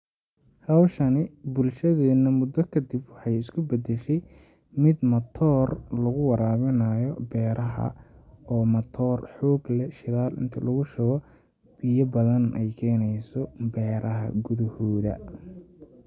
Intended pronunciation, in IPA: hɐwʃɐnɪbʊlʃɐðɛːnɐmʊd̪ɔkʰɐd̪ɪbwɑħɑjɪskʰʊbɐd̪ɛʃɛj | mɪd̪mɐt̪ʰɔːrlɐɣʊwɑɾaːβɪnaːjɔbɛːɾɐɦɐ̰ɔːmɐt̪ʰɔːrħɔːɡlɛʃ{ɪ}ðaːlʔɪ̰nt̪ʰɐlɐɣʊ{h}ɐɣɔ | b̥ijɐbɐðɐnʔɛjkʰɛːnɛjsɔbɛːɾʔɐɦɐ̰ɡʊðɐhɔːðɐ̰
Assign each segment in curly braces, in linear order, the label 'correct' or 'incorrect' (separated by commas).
correct, incorrect